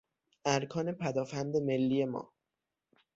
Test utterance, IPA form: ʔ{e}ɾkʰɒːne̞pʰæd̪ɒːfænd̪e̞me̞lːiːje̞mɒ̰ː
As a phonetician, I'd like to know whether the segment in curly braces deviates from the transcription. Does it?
yes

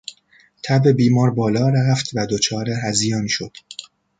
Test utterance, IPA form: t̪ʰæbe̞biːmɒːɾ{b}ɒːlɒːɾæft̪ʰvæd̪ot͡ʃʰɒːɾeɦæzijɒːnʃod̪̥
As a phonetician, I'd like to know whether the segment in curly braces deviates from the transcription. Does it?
no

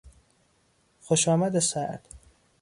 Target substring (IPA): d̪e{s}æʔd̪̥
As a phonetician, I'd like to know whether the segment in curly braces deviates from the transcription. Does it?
no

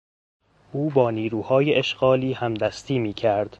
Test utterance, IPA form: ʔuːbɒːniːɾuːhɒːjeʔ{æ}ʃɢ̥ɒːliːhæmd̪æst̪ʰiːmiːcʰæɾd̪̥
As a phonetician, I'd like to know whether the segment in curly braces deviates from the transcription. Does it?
yes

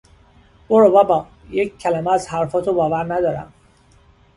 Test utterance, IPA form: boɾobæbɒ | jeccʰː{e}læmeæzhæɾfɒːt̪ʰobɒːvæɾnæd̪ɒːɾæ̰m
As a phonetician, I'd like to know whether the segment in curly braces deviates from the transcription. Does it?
yes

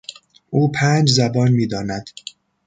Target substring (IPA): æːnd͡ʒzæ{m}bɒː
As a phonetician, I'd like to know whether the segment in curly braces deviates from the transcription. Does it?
yes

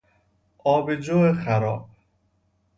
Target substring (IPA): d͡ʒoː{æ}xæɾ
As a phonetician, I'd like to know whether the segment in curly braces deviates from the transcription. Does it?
yes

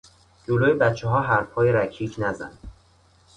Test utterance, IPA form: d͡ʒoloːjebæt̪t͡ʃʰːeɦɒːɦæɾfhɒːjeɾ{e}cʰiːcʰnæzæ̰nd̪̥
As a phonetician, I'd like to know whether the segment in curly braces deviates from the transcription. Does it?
yes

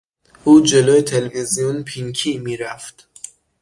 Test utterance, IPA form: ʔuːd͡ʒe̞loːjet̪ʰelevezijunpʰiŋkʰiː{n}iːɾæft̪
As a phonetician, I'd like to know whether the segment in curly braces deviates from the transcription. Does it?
yes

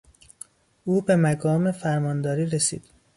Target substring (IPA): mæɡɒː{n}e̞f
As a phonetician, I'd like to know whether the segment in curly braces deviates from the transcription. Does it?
yes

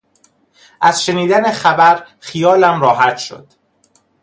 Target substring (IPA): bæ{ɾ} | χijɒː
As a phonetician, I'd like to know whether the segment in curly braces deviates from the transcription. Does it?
no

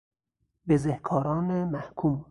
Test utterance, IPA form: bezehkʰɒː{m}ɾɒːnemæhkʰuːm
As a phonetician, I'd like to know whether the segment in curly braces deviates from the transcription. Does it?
yes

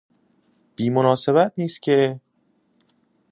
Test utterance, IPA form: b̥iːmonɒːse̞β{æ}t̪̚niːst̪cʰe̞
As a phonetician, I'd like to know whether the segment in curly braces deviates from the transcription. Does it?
no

